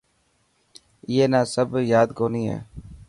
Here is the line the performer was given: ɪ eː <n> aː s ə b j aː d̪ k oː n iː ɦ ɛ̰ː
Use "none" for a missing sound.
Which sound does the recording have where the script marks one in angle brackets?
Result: n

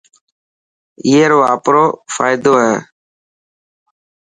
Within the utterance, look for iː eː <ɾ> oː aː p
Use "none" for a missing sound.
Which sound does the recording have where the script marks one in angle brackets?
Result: ɾ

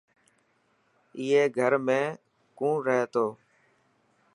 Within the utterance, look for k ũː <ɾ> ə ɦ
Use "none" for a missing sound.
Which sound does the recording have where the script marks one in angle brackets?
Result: ɾ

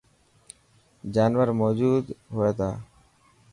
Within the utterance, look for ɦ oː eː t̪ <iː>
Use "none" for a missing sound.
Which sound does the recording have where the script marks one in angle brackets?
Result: aː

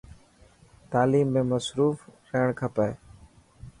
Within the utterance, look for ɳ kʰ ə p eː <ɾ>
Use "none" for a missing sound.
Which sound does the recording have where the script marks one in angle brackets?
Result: none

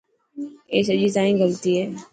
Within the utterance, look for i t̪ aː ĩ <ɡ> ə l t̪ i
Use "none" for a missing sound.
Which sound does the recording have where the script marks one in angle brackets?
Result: ɡ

